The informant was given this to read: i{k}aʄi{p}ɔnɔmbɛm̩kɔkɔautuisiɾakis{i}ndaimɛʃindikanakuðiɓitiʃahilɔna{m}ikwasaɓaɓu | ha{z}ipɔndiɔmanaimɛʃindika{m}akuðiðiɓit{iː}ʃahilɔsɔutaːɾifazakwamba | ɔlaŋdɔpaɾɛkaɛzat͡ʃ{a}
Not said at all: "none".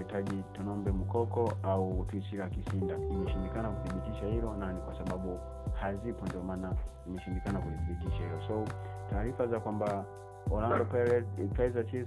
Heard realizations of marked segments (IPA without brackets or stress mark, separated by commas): t, t, i, n, z, n, i, i